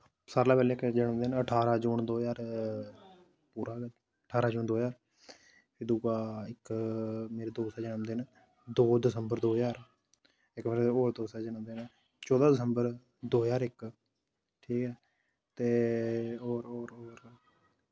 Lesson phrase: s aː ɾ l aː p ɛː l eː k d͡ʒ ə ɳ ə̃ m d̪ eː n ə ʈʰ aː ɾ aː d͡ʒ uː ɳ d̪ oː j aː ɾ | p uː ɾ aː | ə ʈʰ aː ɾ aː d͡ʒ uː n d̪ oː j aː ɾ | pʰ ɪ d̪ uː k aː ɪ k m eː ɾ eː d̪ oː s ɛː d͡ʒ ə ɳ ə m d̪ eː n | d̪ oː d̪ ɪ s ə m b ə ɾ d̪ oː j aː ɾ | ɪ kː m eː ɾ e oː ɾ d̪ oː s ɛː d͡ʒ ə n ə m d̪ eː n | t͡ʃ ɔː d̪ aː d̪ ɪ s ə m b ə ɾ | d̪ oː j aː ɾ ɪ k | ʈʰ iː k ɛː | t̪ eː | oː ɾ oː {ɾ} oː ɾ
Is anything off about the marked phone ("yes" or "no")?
no